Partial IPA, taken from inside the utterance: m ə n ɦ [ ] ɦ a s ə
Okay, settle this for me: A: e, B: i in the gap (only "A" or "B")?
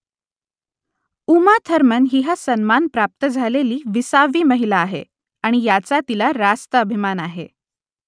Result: B